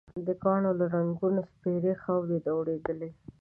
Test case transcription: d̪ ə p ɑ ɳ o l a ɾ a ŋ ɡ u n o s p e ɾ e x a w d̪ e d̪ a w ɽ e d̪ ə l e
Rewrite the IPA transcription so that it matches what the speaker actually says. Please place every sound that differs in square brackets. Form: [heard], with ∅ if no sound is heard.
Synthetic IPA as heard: d̪ ə [k] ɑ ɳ o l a ɾ a ŋ ɡ u n o s p e ɾ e x a w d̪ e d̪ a w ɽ e d̪ ə l e